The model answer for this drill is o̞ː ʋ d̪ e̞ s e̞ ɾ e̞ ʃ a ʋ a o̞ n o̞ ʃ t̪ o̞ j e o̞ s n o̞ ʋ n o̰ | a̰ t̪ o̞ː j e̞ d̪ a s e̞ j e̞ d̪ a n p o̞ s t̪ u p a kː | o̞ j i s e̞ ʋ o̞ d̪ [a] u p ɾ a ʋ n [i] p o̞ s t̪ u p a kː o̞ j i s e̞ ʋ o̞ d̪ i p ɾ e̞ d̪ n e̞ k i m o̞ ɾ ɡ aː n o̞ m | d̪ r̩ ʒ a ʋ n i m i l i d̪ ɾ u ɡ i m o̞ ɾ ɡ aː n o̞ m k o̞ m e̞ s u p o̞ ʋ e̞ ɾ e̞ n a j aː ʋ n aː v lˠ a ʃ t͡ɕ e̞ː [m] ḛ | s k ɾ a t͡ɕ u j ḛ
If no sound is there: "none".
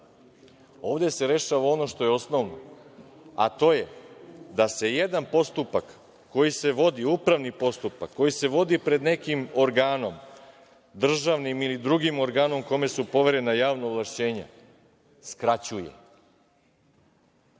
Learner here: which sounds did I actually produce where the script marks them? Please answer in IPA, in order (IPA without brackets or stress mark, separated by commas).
i, i, ɲ